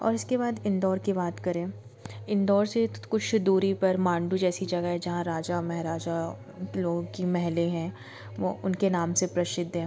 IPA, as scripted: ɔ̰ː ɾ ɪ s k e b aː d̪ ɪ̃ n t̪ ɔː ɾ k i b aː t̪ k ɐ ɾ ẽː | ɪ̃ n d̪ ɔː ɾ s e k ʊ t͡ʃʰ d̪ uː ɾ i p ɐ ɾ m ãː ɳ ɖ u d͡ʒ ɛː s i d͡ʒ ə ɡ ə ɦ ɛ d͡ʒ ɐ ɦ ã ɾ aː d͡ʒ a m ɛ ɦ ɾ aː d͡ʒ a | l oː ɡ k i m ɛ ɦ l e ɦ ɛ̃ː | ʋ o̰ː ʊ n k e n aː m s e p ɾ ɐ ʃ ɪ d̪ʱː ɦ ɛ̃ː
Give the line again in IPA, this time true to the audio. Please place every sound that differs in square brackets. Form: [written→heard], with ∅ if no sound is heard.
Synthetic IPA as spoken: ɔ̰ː ɾ ɪ s k e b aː d̪ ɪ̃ n [t̪→d̪] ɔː ɾ k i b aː t̪ k ɐ ɾ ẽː | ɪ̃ n d̪ ɔː ɾ s e k ʊ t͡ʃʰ d̪ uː ɾ i p ɐ ɾ m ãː ɳ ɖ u d͡ʒ ɛː s i d͡ʒ [ə→ɐ] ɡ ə ɦ ɛ d͡ʒ ɐ ɦ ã ɾ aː d͡ʒ a m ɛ ɦ ɾ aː d͡ʒ a | l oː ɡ k i m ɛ ɦ l e ɦ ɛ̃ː | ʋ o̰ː ʊ n k e n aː m s e p ɾ ɐ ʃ ɪ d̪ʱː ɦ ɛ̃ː